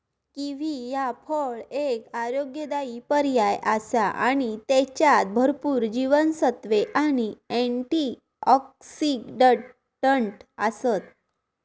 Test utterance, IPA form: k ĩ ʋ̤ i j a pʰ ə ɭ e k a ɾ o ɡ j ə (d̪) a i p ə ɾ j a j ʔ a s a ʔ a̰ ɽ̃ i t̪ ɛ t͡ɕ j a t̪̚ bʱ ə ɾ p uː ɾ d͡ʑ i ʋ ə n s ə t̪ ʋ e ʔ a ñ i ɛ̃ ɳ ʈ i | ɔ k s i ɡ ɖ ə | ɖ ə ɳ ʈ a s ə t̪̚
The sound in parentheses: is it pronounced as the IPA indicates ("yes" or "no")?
yes